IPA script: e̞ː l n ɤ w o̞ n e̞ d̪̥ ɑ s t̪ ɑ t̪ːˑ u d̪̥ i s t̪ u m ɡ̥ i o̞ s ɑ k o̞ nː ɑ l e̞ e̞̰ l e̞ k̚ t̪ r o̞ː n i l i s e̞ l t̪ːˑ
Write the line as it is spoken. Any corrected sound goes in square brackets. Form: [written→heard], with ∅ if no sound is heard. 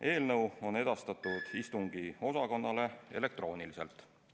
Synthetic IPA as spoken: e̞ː l n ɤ w o̞ n e̞ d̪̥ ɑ s t̪ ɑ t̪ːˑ u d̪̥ i s t̪ u [m→ŋ] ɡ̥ i o̞ s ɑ k o̞ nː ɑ l e̞ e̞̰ l e̞ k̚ t̪ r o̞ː n i l i s e̞ l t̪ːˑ